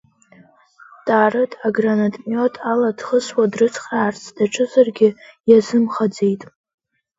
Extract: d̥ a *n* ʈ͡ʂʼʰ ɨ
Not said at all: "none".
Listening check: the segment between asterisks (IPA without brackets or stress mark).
none